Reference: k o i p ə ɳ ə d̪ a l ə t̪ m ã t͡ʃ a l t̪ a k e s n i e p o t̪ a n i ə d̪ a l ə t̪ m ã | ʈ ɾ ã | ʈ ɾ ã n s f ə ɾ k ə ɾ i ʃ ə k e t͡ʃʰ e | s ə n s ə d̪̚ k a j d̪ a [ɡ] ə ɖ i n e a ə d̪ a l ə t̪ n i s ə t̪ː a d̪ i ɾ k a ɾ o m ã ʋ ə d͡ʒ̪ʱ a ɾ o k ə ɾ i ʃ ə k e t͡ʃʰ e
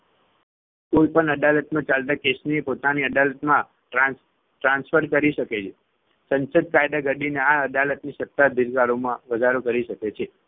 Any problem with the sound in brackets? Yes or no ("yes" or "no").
no